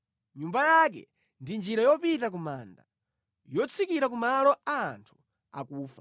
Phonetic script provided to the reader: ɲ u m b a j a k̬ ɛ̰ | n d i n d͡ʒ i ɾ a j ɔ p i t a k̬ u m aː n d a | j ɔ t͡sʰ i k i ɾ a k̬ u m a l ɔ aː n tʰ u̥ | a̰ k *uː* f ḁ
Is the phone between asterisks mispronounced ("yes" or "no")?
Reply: no